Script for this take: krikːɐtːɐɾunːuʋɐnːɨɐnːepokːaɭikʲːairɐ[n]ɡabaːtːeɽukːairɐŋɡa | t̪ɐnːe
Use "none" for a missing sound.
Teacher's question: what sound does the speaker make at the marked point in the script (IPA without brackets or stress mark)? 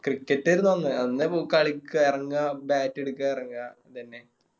ŋ